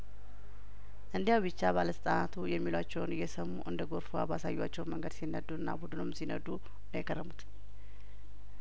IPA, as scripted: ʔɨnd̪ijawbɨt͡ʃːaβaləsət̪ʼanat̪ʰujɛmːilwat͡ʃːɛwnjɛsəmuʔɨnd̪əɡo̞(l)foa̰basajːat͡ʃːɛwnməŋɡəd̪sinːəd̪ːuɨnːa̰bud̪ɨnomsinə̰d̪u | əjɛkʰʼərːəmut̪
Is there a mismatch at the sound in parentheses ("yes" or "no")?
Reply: yes